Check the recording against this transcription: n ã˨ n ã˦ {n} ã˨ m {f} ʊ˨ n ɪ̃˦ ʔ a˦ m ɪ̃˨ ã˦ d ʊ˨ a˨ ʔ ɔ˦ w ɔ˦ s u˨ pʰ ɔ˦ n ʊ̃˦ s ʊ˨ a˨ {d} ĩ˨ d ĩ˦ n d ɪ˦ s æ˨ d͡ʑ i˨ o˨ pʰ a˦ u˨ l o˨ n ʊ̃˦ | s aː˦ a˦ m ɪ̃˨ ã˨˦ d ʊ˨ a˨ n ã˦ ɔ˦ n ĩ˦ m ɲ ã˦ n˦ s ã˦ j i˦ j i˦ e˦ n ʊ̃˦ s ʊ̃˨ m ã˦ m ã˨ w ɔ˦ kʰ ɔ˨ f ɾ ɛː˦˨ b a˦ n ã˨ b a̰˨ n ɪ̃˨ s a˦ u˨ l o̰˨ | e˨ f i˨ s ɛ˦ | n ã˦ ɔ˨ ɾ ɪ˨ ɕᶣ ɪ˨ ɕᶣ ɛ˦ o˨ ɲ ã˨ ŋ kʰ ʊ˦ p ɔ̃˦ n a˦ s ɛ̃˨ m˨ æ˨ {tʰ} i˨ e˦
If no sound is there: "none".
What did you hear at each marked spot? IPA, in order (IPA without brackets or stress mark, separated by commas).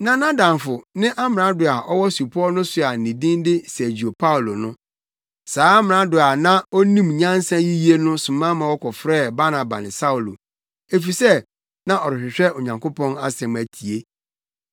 d, f, n, tʰ